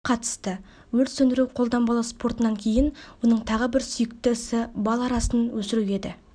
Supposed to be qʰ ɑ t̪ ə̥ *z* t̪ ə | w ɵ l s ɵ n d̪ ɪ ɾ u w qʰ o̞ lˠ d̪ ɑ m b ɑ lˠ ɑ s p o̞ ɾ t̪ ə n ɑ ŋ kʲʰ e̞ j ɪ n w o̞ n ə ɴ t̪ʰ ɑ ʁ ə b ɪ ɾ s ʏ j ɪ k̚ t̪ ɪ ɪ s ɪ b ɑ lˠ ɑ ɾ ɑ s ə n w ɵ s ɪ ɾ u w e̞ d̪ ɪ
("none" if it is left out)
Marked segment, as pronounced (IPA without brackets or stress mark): s